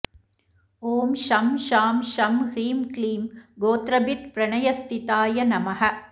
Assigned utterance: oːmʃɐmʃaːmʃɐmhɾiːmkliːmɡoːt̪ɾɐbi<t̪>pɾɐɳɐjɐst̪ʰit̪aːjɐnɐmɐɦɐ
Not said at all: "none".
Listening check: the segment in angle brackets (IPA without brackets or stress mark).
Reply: t̪